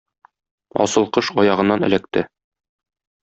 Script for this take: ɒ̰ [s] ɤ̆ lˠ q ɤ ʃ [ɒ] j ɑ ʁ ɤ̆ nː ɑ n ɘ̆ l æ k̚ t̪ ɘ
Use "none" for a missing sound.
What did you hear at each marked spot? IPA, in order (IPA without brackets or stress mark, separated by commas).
s, ɒ